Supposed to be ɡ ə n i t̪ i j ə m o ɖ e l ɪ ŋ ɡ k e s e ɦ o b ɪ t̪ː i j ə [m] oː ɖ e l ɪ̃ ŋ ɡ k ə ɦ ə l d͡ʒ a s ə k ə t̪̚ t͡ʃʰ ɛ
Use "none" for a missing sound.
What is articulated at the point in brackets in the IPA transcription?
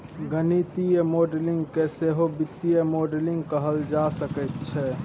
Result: m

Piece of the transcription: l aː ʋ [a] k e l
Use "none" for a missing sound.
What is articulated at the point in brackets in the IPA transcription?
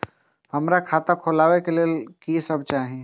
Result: e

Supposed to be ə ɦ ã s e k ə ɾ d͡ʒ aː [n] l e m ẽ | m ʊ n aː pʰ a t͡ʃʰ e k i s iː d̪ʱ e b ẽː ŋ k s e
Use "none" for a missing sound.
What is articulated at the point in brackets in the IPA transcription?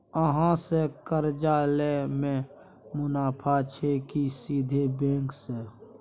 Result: none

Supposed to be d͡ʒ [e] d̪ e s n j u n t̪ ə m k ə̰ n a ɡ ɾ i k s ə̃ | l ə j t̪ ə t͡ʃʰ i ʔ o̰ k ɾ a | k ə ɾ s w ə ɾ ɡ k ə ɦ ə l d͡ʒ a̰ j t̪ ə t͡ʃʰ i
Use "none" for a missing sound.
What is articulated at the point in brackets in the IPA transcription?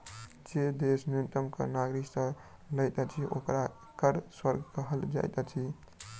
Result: e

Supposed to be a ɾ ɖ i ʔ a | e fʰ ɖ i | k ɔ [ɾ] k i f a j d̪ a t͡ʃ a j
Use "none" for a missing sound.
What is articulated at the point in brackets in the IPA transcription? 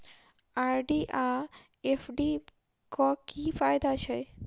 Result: none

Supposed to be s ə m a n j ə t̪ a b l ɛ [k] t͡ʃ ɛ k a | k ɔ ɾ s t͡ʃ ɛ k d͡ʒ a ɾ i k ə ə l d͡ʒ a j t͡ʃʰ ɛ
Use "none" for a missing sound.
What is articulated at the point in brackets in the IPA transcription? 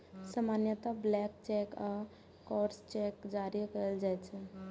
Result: k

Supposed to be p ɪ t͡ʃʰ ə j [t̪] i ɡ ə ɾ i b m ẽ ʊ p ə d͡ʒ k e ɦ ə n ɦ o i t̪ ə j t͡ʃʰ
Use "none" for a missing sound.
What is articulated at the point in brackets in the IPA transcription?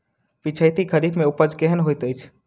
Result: t̪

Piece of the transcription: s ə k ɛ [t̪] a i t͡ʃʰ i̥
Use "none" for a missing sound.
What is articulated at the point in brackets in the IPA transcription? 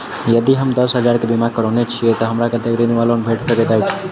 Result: t̪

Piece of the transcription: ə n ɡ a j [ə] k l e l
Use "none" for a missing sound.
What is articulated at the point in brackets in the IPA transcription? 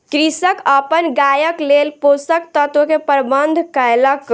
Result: ə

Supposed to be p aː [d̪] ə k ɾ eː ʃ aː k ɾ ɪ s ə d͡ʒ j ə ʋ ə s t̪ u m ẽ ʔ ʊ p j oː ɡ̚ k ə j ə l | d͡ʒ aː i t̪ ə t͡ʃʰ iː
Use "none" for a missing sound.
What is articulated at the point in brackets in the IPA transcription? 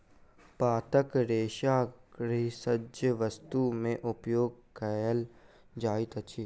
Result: t̪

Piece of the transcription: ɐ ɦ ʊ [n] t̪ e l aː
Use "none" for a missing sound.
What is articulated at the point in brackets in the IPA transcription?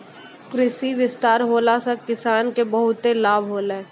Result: none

